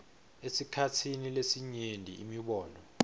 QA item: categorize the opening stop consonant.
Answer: aspirated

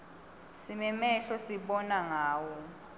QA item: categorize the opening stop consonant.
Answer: implosive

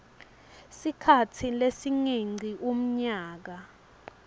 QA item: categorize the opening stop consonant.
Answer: aspirated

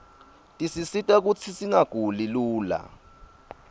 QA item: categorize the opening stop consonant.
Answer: ejective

